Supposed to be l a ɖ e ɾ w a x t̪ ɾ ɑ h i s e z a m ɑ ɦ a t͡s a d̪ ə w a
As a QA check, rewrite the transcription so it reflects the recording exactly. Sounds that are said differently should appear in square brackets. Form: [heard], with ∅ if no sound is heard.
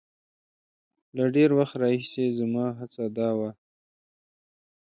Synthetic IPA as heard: l a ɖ e ɾ w a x t̪ ɾ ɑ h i s e z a m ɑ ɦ a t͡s a d̪ [ɑ] w a